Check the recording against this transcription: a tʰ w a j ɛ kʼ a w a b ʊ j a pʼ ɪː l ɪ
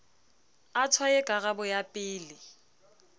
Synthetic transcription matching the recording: a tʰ w a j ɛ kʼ a ɣ a b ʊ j a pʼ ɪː l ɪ